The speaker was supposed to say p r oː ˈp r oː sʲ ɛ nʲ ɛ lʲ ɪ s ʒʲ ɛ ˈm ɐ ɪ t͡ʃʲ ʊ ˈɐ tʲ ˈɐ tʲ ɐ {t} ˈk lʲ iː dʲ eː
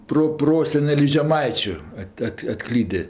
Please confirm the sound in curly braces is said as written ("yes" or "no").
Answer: yes